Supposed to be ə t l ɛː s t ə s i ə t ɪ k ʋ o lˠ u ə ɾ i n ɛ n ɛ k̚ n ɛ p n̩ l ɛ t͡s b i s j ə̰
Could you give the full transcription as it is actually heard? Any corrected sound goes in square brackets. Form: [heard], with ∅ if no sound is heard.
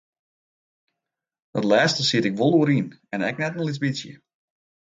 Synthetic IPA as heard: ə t l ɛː s t ə s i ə t ɪ k ʋ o lˠ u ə ɾ i n ɛ n ɛ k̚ n ɛ [t] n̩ l [i] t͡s b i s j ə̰